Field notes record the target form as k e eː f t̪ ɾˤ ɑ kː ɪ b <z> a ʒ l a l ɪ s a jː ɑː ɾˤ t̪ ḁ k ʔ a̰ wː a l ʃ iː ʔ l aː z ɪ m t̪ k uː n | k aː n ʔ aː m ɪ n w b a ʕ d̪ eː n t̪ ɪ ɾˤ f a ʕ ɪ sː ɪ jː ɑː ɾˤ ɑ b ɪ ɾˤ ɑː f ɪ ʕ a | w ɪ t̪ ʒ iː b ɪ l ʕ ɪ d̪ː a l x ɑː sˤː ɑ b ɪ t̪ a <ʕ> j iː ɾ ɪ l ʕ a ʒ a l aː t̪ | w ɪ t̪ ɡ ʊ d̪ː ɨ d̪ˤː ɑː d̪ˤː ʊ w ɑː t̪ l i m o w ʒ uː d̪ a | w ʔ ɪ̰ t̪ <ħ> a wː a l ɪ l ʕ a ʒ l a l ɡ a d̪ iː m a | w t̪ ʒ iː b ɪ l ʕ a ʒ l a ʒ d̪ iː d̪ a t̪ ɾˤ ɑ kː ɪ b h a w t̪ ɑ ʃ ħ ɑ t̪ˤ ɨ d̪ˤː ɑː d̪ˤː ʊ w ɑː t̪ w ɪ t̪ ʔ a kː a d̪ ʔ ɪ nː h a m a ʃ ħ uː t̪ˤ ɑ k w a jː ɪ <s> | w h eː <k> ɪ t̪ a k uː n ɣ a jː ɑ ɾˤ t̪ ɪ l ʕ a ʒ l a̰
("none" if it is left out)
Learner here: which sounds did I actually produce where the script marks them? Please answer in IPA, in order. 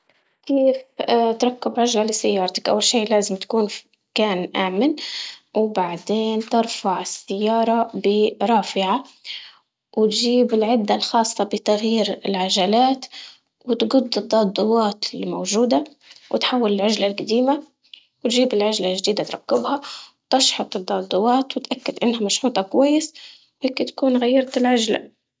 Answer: ʕ, ɣ, ħ, s, k

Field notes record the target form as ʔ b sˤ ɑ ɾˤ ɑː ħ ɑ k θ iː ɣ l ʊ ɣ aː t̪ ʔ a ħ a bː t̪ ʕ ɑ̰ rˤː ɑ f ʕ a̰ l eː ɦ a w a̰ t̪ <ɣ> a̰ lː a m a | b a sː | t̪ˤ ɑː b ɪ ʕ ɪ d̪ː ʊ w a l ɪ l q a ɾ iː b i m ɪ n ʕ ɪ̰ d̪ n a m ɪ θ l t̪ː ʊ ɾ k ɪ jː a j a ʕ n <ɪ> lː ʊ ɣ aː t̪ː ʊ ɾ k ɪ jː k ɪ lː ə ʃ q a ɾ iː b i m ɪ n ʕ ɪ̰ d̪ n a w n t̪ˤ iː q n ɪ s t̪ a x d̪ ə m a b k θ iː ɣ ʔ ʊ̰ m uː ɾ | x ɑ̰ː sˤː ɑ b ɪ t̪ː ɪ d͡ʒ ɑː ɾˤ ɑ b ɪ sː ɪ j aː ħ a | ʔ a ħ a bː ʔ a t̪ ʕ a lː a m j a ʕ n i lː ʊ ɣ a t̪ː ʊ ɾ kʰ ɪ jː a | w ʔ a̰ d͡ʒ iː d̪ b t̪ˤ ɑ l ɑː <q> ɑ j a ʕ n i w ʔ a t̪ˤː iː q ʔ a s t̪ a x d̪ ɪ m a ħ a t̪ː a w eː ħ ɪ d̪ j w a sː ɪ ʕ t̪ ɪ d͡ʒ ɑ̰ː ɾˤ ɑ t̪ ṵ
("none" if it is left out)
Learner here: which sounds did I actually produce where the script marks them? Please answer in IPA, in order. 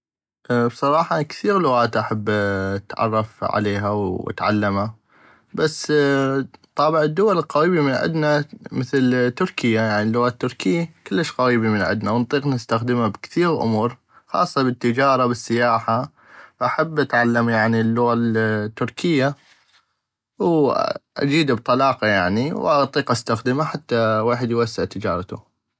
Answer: ʕ, i, q

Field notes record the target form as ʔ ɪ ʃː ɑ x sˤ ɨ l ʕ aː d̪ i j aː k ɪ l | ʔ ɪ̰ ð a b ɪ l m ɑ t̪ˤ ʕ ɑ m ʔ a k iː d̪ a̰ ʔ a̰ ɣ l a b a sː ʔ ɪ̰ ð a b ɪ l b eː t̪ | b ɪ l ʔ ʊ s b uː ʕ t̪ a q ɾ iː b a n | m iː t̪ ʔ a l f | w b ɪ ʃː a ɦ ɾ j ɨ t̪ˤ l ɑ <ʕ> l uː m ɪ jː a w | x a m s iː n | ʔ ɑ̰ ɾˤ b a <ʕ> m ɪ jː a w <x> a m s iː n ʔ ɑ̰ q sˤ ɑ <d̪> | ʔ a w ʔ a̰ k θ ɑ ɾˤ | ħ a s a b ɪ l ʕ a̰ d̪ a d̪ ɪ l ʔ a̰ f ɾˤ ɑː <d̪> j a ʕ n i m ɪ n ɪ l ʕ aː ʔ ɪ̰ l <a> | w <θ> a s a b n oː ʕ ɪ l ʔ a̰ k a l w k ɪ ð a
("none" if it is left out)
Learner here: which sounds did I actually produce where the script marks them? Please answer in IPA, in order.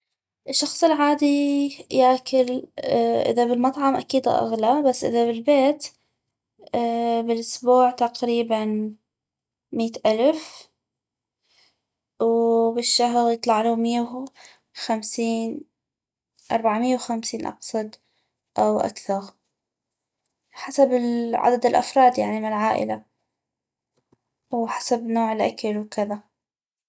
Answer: ʕ, ʕ, x, d̪, d̪, a, ħ

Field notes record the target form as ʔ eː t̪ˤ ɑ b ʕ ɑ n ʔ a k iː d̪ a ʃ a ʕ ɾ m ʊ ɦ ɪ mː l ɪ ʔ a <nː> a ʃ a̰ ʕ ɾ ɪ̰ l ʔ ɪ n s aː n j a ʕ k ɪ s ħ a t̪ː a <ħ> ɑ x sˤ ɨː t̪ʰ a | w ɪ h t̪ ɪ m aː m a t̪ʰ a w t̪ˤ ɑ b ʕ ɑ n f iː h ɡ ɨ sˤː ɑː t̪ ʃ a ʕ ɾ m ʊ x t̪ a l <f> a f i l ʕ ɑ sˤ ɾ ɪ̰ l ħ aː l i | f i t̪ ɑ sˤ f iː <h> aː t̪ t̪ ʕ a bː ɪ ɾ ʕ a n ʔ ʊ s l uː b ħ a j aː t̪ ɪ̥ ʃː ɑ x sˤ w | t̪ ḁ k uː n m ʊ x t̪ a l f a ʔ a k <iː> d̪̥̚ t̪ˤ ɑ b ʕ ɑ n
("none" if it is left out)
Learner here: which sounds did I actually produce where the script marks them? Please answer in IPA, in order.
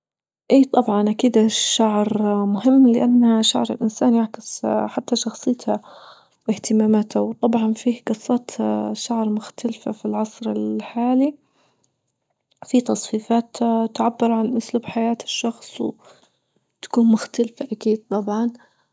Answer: nː, ʃ, f, f, iː

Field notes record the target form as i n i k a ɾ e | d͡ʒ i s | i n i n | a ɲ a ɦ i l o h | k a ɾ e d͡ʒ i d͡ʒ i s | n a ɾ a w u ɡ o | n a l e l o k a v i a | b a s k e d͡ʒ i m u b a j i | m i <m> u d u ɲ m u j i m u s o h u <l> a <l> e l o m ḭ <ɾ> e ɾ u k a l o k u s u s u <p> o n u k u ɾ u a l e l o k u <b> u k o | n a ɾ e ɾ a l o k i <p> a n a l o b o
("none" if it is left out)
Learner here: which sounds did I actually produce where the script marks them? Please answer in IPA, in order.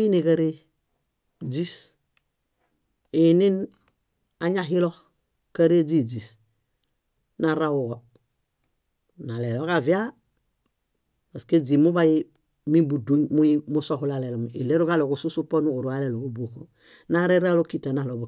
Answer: b, l, l, l, p, b, t

